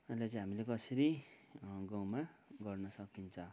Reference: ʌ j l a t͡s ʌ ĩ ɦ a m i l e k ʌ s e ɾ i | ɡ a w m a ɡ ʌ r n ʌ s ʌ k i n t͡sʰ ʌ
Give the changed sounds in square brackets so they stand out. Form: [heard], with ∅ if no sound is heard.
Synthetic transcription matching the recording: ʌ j l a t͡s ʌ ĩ ɦ a m i l e k ʌ s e ɾ i | ɡ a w m a ɡ ʌ r n ʌ s ʌ k i n t͡sʰ ʌ